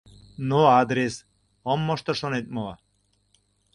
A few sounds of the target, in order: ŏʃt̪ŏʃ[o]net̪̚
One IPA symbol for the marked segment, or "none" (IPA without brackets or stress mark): o